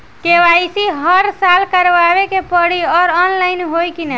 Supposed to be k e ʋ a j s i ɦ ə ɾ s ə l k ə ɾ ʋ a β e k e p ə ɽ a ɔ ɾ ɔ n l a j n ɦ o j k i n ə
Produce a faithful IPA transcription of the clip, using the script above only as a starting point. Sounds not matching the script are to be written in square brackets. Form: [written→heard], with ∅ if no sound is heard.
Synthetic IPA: k e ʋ a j s i ɦ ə ɾ s [ə→a] l k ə ɾ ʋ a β e k e p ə ɽ [a→i] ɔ ɾ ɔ n l a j n ɦ o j k i n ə